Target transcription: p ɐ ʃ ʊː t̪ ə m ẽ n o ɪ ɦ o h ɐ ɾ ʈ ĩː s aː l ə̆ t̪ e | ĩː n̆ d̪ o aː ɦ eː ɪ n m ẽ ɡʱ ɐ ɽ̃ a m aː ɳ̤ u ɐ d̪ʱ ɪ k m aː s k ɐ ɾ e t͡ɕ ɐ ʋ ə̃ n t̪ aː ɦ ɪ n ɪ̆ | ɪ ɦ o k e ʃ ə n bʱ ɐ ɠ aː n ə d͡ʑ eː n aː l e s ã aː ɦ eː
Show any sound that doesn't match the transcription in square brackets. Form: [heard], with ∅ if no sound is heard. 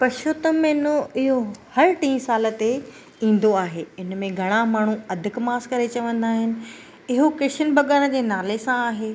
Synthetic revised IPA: p ɐ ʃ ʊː t̪ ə m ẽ n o ɪ ɦ o h ɐ ɾ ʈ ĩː s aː l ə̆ t̪ e | ĩː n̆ d̪ o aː ɦ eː ɪ n m ẽ ɡʱ ɐ ɽ̃ a m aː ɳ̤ u ɐ d̪ʱ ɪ k m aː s k ɐ ɾ e t͡ɕ ɐ ʋ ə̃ n [d̪] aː ɦ ɪ n ɪ̆ | ɪ ɦ o k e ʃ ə n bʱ ɐ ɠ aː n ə d͡ʑ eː n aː l e s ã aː ɦ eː